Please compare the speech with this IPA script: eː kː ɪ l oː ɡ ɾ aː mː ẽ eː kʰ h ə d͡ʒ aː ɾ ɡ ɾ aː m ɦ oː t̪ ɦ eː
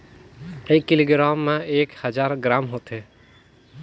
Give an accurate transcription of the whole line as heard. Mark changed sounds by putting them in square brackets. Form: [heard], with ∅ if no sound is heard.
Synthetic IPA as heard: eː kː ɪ l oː ɡ ɾ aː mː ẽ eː [k] h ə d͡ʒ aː ɾ ɡ ɾ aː m ɦ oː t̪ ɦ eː